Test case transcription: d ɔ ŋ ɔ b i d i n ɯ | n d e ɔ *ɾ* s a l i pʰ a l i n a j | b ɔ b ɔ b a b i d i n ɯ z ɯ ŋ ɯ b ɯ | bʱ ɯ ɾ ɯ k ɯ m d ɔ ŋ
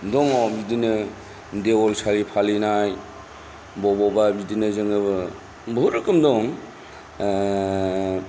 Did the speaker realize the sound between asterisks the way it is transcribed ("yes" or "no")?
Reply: no